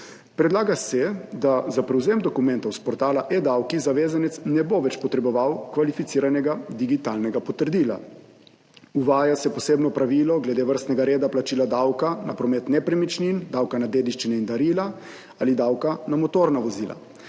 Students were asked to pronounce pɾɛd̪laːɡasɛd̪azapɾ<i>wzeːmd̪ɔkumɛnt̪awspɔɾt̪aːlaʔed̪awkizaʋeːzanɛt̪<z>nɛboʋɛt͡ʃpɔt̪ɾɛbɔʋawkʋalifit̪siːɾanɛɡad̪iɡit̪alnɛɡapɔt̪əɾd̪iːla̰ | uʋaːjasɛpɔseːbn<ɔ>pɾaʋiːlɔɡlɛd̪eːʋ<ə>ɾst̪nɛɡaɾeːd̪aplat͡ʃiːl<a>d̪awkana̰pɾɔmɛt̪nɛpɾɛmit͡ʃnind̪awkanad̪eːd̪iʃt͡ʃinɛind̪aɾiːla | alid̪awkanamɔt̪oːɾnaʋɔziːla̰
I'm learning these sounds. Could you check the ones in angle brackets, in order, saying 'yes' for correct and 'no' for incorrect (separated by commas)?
no, no, yes, yes, yes